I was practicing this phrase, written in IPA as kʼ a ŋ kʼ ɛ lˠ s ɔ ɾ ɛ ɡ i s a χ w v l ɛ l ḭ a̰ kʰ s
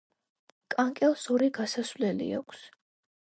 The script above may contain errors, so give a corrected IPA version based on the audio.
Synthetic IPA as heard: kʼ a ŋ kʼ ɛ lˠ s ɔ ɾ i ɡ a s a s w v l ɛ l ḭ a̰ kʰ s